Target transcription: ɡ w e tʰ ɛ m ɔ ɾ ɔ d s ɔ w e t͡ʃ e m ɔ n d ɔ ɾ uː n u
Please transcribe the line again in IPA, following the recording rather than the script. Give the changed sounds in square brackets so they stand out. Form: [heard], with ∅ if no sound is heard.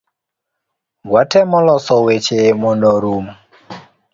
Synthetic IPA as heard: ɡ w [a] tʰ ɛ m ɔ [l] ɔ [∅] s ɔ w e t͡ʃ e m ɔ n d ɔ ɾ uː [m] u